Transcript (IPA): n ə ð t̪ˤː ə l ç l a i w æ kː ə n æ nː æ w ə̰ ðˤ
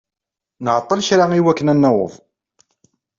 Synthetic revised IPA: n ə ʕ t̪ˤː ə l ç ɾ a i w æ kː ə n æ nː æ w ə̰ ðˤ